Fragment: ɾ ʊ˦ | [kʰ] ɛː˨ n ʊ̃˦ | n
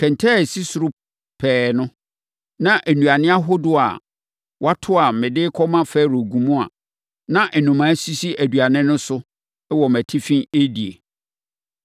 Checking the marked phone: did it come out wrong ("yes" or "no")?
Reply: yes